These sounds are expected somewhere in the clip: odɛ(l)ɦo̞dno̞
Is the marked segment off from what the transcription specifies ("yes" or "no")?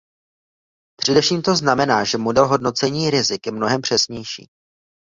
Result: no